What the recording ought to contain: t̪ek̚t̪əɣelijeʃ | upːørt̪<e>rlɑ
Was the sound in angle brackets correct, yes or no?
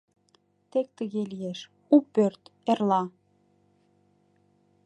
yes